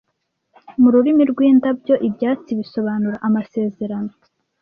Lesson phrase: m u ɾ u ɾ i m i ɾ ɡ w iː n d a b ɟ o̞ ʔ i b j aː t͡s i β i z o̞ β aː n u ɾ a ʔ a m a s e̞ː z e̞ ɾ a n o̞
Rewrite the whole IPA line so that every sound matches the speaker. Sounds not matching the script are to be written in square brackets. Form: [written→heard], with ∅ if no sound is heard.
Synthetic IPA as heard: m u ɾ u ɾ i m i ɾ ɡ w iː n d a b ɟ o̞ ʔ i b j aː t͡s i β i [z→s] o̞ β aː n u ɾ a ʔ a m a s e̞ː z e̞ ɾ a n o̞

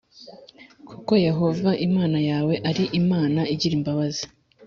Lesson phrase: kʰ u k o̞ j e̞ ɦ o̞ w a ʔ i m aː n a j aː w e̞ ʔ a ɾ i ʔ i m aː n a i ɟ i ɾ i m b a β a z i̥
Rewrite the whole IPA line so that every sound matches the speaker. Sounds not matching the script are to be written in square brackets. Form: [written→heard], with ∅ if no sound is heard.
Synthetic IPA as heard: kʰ u k o̞ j e̞ ɦ o̞ [w→v] a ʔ i m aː n a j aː w e̞ ʔ a ɾ i ʔ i m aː n a i ɟ i ɾ i m b a β a z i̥

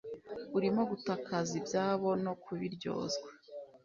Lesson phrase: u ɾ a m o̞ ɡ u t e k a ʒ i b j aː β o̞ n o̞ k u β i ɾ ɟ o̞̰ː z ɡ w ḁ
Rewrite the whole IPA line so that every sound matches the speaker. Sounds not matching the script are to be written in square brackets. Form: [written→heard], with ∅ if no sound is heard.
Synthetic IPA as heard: u ɾ [a→i] m o̞ ɡ u t [e→a] k a [ʒ→z] i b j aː β o̞ n o̞ k u β i ɾ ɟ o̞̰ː z ɡ w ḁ

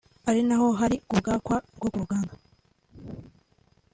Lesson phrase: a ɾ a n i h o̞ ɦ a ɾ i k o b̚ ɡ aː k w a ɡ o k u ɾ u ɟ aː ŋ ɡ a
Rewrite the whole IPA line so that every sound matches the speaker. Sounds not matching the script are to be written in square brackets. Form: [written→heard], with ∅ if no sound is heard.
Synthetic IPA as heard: a ɾ [a→i] n [i→a] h o̞ ɦ a ɾ i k [o→u] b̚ ɡ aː k w a ɡ o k u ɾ u [ɟ→ɡ] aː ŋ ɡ a

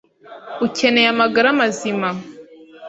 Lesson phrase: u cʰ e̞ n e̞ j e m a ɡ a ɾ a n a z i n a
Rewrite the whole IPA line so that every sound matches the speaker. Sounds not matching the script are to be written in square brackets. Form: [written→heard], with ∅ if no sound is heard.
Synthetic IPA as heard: u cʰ e̞ n e̞ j [e→a] m a ɡ a ɾ a [n→m] a z i [n→m] a

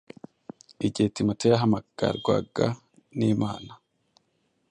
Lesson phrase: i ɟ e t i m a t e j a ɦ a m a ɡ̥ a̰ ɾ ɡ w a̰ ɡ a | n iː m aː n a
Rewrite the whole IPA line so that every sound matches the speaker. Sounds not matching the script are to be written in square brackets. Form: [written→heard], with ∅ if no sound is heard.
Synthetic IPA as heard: i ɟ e t i m a t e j a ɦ a m a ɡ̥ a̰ ɾ ɡ w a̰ ɡ a | n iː m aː n a

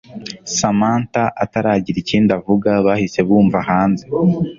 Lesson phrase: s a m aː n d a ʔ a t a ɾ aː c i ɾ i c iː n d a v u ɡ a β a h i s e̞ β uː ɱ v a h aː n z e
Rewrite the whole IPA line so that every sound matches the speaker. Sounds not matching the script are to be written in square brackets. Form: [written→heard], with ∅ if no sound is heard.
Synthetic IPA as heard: s a m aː n [d→t] a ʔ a t a ɾ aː [c→ɟ] i ɾ i c iː n d a v u ɡ a β a h i s e̞ β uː ɱ v a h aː n z e

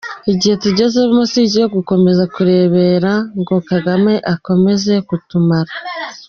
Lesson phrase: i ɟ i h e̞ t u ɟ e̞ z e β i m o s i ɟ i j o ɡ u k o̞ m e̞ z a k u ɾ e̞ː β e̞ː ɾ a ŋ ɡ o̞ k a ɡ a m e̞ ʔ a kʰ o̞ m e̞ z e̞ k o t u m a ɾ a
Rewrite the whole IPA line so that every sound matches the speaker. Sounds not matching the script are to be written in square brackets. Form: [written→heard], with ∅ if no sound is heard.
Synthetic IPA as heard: i ɟ i h e̞ t u ɟ e̞ z e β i m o s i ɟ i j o ɡ u k o̞ m e̞ z a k u ɾ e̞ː β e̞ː ɾ a ŋ ɡ o̞ k a ɡ a m e̞ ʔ a [kʰ→k] o̞ m e̞ z e̞ k [o→u] t u m a ɾ a

